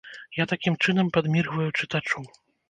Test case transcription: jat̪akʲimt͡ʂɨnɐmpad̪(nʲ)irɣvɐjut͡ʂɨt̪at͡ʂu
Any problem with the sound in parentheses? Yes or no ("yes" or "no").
yes